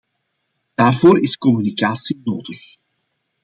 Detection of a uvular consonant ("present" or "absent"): absent